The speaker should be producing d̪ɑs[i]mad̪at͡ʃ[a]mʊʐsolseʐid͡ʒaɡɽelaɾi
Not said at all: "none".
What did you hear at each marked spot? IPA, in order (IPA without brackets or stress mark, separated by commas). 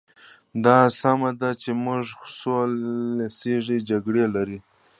a, e